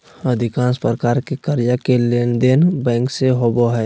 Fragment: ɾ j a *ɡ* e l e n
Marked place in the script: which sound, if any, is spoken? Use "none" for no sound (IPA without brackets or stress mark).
k